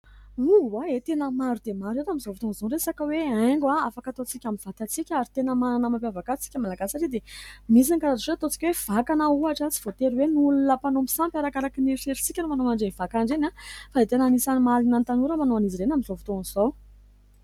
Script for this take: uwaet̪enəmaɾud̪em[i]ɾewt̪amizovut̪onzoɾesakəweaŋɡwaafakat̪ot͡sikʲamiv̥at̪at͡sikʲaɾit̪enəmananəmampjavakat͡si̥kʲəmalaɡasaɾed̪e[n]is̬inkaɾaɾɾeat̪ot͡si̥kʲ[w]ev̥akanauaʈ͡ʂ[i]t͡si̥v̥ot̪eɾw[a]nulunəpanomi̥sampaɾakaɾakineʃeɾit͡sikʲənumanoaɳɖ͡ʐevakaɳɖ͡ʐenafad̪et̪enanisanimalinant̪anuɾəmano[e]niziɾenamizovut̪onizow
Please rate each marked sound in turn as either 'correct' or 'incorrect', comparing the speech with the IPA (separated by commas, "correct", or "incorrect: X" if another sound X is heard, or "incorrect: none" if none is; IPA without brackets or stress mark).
incorrect: a, incorrect: m, correct, incorrect: a, incorrect: e, incorrect: a